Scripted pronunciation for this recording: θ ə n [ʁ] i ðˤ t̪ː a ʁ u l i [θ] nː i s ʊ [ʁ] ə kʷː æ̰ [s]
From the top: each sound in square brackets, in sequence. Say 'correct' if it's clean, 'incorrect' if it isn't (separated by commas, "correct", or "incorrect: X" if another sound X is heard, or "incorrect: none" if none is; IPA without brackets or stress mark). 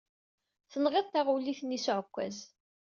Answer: correct, correct, incorrect: ʕ, incorrect: z